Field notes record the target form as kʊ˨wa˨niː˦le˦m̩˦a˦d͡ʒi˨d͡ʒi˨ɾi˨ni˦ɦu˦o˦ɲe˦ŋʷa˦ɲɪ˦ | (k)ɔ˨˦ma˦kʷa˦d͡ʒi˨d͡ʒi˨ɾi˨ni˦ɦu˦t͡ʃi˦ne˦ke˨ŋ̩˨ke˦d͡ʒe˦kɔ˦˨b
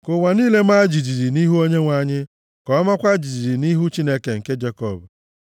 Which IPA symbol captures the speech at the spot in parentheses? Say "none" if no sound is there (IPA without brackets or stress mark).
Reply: k